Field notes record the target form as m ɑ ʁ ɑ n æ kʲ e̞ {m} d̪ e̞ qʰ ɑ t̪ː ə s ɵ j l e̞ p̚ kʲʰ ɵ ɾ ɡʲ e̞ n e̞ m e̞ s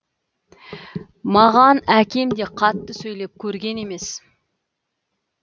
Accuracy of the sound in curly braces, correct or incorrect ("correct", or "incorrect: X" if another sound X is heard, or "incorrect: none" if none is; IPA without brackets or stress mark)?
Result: correct